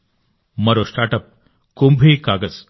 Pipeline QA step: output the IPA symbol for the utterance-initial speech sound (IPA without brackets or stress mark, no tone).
m